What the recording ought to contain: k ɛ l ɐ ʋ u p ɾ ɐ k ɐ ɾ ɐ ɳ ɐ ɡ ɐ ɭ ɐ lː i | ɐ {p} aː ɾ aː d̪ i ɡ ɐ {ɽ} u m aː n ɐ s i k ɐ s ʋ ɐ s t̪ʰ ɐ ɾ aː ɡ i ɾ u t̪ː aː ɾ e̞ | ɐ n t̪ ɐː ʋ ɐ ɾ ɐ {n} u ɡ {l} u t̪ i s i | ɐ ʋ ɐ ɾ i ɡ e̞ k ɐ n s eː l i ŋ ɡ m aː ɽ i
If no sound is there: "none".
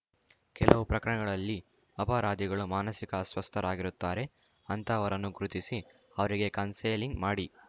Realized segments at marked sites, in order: p, ɭ, nː, ɾ

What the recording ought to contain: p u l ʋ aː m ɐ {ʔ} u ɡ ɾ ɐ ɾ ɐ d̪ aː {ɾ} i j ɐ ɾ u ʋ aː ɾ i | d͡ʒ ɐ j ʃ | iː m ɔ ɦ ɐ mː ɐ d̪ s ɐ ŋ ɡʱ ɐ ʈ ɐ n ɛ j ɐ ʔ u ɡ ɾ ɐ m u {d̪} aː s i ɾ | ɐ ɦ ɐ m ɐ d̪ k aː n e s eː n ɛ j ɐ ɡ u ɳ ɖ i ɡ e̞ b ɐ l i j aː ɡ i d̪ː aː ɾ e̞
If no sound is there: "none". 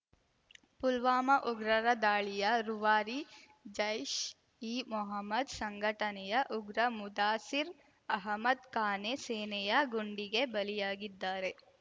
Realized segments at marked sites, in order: ʔ, ɭ, d̪

